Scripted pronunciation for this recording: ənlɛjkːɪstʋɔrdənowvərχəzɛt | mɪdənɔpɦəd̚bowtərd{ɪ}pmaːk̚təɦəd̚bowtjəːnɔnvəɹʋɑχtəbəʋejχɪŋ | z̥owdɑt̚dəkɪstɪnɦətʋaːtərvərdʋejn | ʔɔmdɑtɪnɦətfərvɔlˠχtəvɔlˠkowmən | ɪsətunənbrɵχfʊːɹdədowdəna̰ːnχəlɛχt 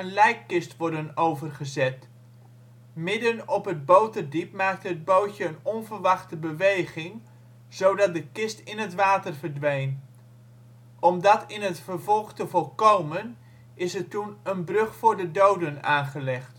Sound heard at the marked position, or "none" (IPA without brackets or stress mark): i